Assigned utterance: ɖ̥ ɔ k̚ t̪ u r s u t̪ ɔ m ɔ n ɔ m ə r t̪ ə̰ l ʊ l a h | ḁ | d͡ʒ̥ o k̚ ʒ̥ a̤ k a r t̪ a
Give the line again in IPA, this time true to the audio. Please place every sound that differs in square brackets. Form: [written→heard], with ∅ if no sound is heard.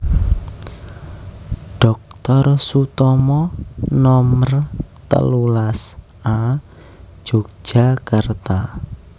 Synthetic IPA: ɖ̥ ɔ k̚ t̪ [u→ɔ] r s u t̪ ɔ m ɔ n ɔ m ə r t̪ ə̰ l [ʊ→u] l a [h→s] | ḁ | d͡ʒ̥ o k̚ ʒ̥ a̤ k a r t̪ a